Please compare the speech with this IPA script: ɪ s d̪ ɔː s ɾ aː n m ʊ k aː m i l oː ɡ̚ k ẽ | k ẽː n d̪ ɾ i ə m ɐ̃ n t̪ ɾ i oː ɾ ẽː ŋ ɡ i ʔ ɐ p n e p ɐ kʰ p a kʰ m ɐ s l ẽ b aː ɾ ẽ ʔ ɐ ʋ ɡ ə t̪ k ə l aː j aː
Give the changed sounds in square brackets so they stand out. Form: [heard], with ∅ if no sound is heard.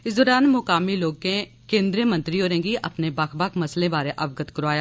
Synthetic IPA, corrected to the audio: ɪ s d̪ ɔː [∅] ɾ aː n m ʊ k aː m i l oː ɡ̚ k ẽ | k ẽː n d̪ ɾ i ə m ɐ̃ n t̪ ɾ i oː ɾ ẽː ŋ ɡ i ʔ ɐ p n e [b] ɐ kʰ [b] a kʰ m ɐ s l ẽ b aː ɾ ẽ ʔ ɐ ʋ ɡ ə t̪ k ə [ɾ] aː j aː